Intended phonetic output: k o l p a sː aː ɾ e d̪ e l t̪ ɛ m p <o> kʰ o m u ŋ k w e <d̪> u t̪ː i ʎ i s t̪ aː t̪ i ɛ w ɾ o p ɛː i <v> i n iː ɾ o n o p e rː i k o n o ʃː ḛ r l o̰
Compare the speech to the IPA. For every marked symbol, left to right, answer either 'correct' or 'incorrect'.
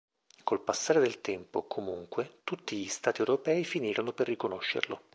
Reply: correct, incorrect: t̪, incorrect: f

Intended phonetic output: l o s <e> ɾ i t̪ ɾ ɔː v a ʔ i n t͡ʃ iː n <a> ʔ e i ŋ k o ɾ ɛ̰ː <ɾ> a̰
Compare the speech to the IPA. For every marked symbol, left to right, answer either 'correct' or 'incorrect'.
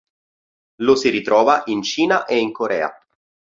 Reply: incorrect: i, correct, incorrect: none

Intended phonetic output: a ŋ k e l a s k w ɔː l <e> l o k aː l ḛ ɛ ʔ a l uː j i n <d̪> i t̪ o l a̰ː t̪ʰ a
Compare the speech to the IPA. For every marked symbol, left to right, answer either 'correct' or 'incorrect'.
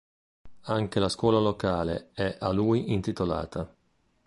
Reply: incorrect: a, incorrect: t̪

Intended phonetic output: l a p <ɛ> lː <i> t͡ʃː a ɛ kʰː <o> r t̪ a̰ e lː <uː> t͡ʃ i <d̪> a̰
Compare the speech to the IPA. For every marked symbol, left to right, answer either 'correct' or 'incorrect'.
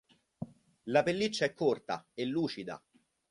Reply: incorrect: e, correct, correct, correct, correct

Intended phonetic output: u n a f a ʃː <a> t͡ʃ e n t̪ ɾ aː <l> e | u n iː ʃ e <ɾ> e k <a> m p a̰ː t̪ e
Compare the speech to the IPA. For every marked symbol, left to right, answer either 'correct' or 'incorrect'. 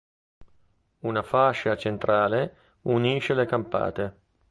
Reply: correct, correct, incorrect: l, correct

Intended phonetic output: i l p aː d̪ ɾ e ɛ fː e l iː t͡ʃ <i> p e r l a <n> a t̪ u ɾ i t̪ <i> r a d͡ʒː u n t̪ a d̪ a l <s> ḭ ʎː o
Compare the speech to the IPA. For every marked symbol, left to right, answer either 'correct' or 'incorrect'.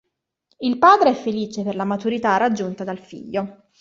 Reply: incorrect: e, incorrect: m, incorrect: a, incorrect: f

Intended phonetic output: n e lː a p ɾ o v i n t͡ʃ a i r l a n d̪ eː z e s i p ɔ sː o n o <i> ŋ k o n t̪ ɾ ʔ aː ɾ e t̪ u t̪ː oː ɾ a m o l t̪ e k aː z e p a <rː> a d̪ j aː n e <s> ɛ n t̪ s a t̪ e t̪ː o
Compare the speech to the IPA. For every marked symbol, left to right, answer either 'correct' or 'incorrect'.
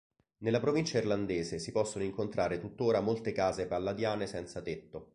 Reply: correct, incorrect: lː, correct

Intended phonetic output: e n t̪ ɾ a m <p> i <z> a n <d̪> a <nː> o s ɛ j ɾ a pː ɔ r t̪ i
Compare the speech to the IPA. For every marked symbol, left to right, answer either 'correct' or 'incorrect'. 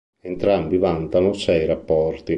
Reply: incorrect: b, incorrect: v, incorrect: t̪, incorrect: n

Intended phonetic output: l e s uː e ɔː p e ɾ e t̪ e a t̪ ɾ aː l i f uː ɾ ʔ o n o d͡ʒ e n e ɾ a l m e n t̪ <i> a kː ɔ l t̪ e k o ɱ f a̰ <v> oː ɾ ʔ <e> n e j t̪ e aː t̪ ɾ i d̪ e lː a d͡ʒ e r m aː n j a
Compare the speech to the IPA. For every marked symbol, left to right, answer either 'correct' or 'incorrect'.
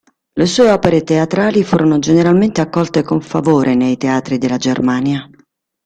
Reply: incorrect: e, correct, correct

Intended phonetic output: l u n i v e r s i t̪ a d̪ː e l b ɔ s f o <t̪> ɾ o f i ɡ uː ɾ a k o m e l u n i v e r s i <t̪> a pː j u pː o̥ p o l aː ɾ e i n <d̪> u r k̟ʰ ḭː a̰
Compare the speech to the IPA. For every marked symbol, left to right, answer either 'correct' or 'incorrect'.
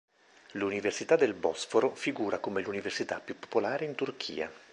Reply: incorrect: none, correct, incorrect: t̪

